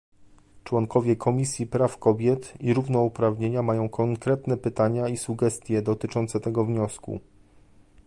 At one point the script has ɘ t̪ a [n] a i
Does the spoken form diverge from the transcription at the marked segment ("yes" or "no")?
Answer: yes